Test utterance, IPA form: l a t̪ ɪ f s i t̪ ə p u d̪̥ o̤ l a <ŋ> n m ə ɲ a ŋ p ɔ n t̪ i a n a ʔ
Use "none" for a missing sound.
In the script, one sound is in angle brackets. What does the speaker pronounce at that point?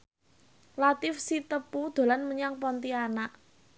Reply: none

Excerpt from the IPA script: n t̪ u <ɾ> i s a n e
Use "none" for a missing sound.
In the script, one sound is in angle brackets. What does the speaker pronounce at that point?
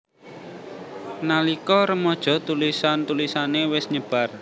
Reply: l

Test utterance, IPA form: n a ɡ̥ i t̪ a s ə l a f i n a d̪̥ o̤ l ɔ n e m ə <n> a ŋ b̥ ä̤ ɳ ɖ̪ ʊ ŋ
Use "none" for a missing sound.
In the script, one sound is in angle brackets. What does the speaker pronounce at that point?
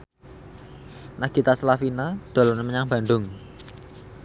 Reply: ɲ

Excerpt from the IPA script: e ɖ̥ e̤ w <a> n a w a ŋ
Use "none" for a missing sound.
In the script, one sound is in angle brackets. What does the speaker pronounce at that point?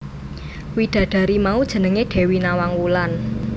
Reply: i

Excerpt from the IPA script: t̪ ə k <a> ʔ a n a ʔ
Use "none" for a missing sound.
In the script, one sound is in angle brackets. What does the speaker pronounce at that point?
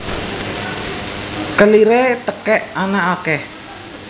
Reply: ɛ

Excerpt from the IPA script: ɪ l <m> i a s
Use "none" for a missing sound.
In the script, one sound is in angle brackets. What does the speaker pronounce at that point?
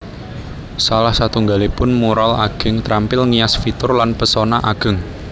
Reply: ŋ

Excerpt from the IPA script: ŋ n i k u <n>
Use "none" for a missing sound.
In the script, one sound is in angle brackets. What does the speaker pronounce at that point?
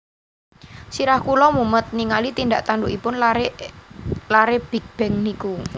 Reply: none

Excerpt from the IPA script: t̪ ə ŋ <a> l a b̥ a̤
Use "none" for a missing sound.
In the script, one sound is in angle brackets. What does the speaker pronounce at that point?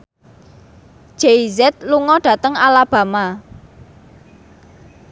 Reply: a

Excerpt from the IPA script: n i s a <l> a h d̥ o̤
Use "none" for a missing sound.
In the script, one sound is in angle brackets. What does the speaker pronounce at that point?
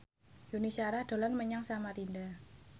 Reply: ɾ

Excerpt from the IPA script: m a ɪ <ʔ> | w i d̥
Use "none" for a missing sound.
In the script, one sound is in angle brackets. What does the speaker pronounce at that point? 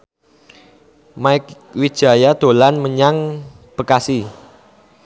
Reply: k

